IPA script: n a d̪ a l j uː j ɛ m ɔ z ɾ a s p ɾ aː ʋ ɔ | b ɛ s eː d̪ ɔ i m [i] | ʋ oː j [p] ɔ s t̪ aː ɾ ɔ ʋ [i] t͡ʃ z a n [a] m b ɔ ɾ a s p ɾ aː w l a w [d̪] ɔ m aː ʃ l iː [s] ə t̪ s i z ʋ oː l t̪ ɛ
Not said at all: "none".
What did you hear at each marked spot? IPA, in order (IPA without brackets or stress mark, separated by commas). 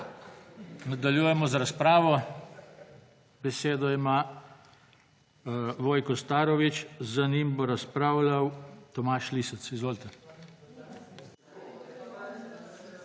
a, k, i, i, t̪, s